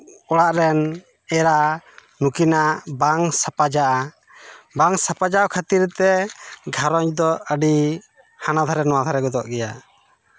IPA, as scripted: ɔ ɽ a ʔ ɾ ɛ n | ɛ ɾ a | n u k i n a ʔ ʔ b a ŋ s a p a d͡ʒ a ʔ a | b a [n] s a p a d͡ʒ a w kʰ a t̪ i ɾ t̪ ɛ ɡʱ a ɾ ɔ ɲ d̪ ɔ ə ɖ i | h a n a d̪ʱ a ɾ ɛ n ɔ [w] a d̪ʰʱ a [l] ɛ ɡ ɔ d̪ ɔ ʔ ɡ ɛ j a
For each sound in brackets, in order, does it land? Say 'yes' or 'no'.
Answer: no, yes, no

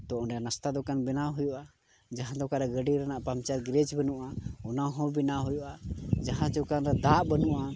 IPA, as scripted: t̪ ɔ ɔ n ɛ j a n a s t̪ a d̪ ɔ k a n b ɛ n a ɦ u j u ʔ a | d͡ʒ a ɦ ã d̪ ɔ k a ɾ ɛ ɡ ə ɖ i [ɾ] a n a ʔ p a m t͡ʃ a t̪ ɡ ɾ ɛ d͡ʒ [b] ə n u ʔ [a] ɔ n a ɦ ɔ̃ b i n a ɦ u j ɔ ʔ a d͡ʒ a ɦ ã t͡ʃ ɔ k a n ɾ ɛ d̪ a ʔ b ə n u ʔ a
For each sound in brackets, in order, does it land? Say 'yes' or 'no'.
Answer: yes, yes, yes

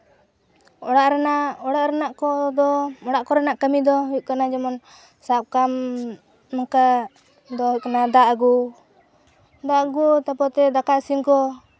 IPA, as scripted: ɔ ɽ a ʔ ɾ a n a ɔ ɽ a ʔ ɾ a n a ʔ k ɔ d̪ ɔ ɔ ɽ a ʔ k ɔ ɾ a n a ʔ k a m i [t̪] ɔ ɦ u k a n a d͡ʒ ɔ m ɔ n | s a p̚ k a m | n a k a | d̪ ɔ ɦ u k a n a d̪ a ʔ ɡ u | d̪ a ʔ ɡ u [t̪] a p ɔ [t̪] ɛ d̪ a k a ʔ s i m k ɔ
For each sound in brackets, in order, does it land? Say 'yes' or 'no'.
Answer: no, yes, yes

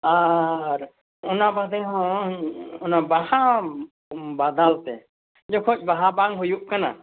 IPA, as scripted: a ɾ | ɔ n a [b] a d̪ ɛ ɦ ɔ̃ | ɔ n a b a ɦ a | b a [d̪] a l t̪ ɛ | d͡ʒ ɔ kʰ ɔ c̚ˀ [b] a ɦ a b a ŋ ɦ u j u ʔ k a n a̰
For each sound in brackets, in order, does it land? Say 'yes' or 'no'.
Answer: yes, yes, yes

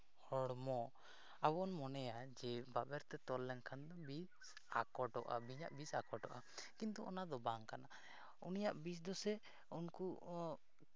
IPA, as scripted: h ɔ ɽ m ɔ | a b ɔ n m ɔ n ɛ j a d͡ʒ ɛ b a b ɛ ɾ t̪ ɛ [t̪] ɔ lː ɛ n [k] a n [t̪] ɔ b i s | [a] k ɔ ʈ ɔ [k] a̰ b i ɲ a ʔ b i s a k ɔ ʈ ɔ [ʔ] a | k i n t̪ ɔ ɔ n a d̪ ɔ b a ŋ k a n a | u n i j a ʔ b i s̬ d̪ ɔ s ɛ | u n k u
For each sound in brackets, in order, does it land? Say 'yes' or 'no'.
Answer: yes, no, no, yes, no, yes

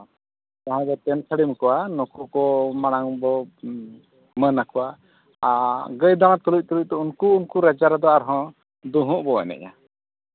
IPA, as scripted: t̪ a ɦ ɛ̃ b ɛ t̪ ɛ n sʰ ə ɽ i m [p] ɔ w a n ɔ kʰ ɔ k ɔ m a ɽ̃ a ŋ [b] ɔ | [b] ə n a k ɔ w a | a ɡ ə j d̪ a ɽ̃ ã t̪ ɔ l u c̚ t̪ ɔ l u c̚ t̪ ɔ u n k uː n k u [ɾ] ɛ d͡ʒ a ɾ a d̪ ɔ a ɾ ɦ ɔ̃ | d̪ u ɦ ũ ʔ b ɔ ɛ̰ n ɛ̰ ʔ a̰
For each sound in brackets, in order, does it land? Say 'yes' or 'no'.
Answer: no, yes, no, yes

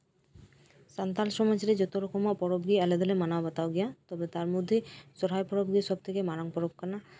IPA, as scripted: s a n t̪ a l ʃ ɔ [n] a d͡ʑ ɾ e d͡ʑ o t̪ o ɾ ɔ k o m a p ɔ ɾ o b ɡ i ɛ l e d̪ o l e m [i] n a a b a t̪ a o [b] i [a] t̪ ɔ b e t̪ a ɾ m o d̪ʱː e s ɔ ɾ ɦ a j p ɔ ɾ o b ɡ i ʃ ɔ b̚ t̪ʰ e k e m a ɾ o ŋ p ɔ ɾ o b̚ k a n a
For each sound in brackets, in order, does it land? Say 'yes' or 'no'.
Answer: no, no, no, yes

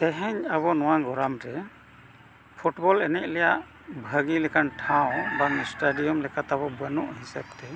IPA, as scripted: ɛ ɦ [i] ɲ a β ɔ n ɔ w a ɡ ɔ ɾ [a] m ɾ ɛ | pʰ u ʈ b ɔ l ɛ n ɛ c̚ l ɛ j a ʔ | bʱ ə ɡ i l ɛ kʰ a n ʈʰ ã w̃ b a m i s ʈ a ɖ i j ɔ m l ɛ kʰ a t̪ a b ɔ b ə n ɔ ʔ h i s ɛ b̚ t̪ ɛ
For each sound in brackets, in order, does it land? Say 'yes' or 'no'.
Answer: no, yes

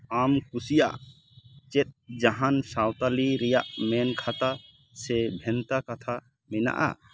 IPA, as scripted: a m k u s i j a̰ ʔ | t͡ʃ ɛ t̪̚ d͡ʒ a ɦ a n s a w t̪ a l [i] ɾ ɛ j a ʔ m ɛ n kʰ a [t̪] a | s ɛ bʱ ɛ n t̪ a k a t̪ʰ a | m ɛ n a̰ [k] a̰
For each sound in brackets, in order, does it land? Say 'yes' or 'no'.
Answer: yes, yes, no

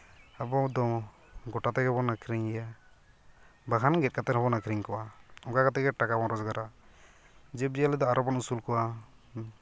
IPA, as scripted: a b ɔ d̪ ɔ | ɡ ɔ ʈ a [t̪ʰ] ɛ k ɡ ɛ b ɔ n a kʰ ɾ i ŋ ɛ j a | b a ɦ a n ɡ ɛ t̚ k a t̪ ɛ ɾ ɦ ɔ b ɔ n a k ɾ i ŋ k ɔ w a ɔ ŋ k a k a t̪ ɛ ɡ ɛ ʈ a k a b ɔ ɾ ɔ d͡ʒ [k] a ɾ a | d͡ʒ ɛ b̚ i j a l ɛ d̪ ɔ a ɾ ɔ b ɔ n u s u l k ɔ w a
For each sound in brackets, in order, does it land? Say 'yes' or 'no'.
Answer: no, no

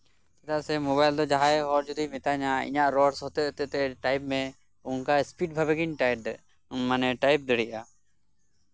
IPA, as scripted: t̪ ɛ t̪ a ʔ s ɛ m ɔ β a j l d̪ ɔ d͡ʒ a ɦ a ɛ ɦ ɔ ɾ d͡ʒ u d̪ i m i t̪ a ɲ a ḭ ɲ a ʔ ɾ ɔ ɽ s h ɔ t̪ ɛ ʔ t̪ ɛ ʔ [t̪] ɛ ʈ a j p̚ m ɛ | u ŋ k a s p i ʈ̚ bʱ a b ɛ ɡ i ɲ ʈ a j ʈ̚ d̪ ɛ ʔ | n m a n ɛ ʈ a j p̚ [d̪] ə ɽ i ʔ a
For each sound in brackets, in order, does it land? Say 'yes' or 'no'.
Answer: yes, yes

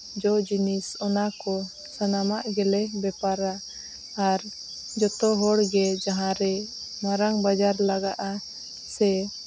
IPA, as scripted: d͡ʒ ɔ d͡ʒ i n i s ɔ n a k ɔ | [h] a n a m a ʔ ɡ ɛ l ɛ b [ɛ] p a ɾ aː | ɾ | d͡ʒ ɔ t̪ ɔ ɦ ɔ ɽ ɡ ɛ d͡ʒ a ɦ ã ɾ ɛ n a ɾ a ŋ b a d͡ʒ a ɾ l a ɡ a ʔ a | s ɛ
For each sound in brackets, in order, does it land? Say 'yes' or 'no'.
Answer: no, yes

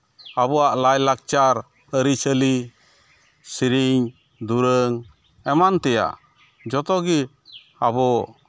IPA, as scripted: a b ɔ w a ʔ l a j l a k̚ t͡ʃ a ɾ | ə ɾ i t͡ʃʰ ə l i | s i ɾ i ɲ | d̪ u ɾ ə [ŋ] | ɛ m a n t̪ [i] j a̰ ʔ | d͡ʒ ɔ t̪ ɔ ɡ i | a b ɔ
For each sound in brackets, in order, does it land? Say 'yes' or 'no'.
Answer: yes, no

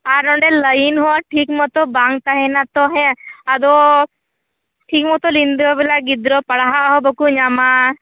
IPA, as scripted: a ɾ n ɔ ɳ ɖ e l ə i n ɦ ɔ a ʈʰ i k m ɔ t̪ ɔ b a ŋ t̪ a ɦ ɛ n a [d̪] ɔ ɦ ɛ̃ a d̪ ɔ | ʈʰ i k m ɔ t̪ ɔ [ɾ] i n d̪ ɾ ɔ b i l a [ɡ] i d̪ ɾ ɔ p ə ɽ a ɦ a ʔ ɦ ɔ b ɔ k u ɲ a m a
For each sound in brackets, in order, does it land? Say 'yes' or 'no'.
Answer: no, no, yes

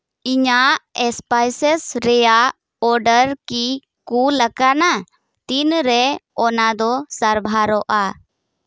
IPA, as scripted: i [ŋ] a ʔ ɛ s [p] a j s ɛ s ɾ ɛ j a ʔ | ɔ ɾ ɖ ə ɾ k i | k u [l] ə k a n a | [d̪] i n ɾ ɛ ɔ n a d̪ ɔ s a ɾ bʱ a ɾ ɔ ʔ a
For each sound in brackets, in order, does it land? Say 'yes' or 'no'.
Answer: no, yes, yes, no

